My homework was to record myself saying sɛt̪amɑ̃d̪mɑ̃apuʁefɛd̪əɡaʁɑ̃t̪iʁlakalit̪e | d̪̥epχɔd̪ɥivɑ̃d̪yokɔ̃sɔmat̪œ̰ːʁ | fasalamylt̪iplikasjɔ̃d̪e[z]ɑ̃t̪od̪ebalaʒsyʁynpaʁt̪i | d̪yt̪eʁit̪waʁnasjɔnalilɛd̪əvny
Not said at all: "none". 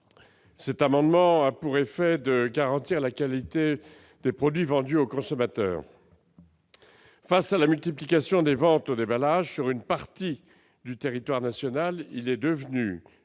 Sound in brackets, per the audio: v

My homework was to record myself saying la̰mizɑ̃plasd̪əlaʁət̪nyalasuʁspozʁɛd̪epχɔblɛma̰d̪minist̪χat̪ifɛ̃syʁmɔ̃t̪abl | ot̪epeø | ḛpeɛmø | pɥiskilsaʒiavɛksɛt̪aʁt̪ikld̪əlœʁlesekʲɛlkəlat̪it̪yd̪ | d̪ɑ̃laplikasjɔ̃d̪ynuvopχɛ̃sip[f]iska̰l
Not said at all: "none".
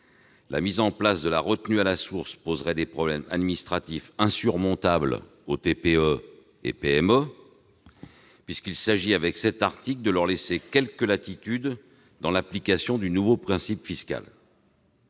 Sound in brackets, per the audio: f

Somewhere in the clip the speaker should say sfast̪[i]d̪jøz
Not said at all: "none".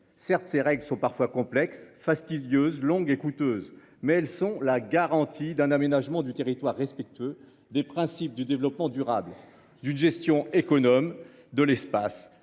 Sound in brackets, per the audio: i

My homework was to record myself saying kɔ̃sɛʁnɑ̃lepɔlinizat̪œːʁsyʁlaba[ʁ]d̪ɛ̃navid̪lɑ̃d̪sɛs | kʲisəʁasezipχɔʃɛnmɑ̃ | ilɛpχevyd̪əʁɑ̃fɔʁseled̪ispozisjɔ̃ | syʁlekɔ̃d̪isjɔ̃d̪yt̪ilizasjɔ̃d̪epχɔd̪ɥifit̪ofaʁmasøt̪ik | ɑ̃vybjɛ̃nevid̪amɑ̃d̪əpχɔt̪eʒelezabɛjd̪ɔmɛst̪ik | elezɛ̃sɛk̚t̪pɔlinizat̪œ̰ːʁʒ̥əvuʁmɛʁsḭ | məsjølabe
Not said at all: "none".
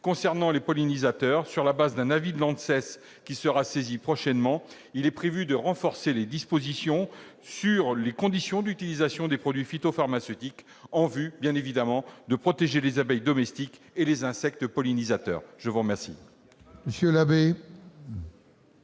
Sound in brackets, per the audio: z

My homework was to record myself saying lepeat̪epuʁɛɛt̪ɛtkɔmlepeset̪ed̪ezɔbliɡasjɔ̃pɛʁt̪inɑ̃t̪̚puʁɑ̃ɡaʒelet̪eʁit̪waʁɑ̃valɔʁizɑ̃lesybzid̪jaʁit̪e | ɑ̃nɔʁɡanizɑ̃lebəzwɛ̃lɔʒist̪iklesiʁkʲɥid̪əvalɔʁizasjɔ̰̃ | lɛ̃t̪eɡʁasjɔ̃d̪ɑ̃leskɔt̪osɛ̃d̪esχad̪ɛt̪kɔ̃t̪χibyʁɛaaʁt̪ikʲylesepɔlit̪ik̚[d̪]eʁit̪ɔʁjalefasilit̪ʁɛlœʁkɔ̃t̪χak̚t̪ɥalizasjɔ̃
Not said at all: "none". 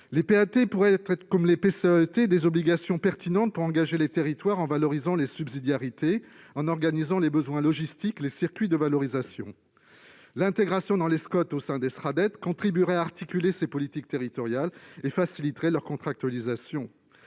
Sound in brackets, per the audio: t̪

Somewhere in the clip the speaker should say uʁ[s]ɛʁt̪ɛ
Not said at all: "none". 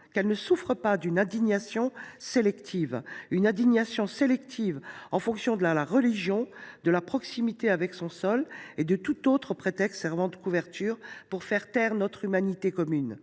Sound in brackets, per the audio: f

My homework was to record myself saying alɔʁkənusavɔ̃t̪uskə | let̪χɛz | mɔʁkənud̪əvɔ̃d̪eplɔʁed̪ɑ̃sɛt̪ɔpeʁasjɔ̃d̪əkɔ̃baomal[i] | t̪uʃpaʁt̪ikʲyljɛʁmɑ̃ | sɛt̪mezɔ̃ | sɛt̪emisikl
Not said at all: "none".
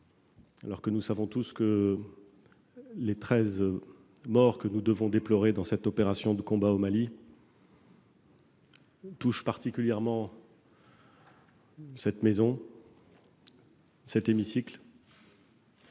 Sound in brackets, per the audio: i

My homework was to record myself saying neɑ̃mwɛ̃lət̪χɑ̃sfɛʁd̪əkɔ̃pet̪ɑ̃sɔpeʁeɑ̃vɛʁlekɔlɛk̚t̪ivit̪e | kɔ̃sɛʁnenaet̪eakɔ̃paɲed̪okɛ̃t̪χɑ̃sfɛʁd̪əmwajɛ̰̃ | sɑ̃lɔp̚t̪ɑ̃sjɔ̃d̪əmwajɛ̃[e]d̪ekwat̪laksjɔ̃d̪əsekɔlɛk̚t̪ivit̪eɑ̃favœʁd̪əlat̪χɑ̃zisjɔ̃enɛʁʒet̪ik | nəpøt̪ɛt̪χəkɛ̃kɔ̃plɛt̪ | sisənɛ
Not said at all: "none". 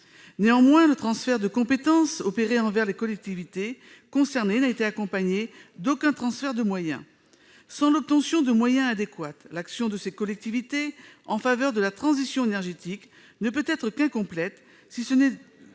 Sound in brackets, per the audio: a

